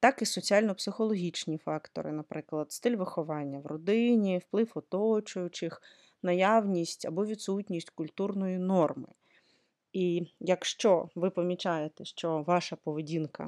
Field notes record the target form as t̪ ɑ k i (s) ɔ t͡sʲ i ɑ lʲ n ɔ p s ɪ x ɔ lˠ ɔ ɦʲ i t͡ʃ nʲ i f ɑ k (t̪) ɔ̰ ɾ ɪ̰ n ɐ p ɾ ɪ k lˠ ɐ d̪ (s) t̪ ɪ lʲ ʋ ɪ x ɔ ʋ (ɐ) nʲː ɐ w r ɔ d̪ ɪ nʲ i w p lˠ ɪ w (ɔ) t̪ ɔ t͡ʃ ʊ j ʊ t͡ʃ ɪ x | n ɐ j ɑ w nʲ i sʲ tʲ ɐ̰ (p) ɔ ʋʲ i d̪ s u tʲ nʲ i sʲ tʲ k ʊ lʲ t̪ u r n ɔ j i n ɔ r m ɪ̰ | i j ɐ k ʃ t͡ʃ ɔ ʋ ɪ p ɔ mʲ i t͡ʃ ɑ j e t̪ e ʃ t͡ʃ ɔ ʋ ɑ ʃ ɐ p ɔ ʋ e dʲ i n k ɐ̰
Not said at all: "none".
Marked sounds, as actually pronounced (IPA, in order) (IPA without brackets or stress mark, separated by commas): s, t̪, s, ɑ, ɔ, b